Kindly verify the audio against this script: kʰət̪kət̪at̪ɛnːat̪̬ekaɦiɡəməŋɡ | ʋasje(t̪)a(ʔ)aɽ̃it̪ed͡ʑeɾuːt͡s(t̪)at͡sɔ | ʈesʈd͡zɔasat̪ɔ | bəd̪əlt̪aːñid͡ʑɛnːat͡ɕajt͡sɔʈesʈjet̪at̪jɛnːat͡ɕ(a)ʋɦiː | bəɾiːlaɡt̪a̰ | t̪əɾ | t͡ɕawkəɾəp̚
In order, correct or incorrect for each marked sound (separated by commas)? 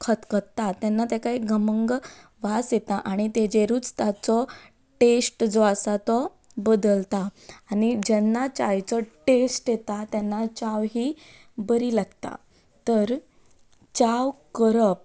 correct, correct, correct, correct